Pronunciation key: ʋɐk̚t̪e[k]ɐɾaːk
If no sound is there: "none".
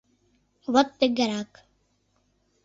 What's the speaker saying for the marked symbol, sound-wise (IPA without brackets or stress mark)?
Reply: ɡ